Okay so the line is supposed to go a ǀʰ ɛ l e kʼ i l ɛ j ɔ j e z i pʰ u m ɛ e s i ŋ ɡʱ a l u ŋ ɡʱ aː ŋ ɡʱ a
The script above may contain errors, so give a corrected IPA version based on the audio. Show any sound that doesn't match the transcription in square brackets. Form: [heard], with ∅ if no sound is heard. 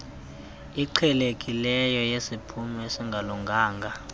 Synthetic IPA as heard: [i] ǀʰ ɛ l e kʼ i l ɛ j ɔ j e [s] i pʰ u m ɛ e s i ŋ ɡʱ a l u ŋ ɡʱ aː ŋ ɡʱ a